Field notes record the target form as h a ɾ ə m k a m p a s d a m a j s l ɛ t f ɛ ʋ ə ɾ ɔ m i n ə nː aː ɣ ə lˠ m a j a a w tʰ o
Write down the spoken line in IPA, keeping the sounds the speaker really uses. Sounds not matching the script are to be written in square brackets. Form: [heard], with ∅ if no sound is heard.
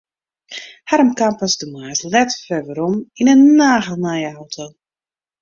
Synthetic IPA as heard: h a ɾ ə m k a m p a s d [ə] m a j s l ɛ t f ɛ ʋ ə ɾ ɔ m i n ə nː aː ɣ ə lˠ [n] a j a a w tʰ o